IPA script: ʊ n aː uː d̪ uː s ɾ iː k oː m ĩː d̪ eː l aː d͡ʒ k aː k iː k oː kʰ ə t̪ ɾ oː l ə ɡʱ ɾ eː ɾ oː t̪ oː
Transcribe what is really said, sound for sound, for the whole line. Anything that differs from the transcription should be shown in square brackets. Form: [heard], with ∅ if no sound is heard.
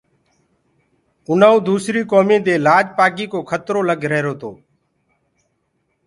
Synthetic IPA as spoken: ʊ n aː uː d̪ uː s ɾ iː k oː m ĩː d̪ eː l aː d͡ʒ [p] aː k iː k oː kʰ ə t̪ ɾ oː l ə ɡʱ ɾ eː ɾ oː t̪ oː